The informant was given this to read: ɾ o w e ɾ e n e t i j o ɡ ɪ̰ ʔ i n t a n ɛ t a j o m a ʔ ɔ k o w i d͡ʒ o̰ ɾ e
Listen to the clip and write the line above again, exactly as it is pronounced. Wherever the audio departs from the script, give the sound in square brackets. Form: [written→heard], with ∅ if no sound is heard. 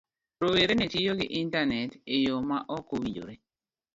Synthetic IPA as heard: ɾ o w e ɾ e n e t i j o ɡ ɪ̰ ʔ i n t a n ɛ t [a→e] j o m a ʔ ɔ k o w i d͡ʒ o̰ ɾ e